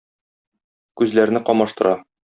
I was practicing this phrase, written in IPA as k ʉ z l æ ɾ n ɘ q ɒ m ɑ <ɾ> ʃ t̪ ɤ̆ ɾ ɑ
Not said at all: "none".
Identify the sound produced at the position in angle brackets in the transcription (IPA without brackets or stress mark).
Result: none